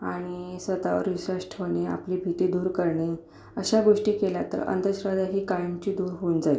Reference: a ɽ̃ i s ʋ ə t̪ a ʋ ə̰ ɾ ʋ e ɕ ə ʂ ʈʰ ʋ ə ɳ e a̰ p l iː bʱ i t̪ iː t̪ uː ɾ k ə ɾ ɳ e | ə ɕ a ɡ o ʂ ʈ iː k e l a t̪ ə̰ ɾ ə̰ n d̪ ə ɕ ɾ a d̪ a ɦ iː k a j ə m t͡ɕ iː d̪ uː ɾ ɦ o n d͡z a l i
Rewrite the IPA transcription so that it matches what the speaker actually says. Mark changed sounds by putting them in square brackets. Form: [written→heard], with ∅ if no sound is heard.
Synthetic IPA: a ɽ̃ i s ʋ ə t̪ a ʋ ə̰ ɾ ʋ [e→i] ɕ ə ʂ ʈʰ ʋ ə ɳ e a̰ p l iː bʱ i t̪ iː [t̪→d̪] uː ɾ k ə ɾ ɳ e | ə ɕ a ɡ o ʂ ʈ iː k e l a t̪ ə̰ ɾ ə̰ n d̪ ə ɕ ɾ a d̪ a ɦ iː k a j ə m t͡ɕ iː d̪ uː ɾ ɦ o n d͡z a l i

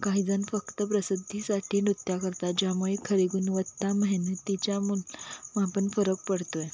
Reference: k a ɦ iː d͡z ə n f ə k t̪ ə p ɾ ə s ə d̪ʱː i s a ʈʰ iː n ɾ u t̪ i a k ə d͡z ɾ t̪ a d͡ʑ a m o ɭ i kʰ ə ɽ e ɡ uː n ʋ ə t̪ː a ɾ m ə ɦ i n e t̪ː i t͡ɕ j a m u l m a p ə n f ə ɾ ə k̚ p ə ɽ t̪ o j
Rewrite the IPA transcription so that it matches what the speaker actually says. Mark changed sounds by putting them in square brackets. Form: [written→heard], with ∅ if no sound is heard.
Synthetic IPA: k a ɦ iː d͡z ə n f ə k t̪ ə p ɾ ə s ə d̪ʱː i s a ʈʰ iː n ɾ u t̪ [i→j] a k ə [d͡z→∅] ɾ t̪ a d͡ʑ a m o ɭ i kʰ ə [ɽ→ɾ] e ɡ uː n ʋ ə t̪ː a [ɾ→∅] m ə ɦ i n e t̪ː i t͡ɕ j a m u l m a p ə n f ə ɾ ə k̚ p ə ɽ t̪ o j

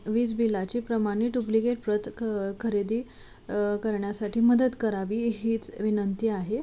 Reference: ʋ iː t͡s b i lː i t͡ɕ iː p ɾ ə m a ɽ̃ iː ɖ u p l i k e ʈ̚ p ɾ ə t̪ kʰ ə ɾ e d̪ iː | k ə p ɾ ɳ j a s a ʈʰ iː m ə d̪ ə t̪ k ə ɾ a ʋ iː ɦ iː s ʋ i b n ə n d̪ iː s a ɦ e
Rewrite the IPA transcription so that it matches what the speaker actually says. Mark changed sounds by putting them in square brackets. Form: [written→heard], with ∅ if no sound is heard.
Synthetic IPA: ʋ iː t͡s b i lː [i→a] t͡ɕ iː p ɾ ə m a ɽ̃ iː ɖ u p l i k e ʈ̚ p ɾ ə t̪ kʰ ə ɾ e d̪ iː | k ə [p→∅] ɾ ɳ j a s a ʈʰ iː m ə d̪ ə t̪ k ə ɾ a ʋ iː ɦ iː [s→t͡s] ʋ i [b→∅] n ə n [d̪→t̪] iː [s→∅] a ɦ e

